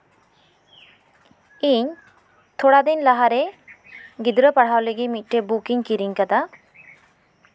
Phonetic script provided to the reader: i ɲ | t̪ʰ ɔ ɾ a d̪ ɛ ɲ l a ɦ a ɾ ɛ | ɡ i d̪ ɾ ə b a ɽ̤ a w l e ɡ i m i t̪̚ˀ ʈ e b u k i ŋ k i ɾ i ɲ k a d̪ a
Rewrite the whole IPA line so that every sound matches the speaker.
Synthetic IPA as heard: i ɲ | t̪ʰ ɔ ɽ a d̪ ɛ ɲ l a ɦ a ɾ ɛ | ɡ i d̪ ɾ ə p a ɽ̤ a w l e ɡ i m i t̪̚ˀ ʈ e b u k i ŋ k i ɾ i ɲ k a d̪ a